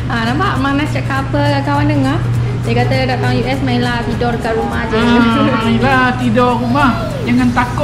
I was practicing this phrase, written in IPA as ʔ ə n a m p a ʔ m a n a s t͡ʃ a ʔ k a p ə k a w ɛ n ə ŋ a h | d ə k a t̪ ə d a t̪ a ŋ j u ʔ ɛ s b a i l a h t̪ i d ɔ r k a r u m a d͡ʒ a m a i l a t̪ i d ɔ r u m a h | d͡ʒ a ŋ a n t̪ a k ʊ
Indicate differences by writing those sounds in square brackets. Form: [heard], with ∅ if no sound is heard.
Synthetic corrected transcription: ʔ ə n a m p a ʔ m a n a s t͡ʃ a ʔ k a p ə k a w [a] n ə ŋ a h | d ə k a t̪ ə d a t̪ a ŋ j u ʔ ɛ s [m] a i l a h t̪ i d ɔ r k a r u m a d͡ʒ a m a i l a t̪ i d ɔ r u m a h | d͡ʒ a ŋ a n t̪ a k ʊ